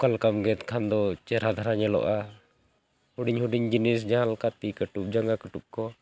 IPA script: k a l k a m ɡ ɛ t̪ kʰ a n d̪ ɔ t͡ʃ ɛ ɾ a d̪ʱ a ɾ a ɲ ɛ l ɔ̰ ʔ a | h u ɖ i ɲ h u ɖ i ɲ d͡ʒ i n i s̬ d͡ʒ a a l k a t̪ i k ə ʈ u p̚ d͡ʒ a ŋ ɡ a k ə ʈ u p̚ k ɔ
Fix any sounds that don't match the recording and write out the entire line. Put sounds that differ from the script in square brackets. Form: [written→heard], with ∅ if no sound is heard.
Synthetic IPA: k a l k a m ɡ ɛ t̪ kʰ a n d̪ ɔ t͡ʃ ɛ ɾ a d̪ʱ a ɾ a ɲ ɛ l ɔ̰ ʔ a | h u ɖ i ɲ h u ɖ i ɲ d͡ʒ i n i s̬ d͡ʒ a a l k a t̪ i k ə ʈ u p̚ d͡ʒ a ŋ ɡ a k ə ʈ u p̚ k ɔ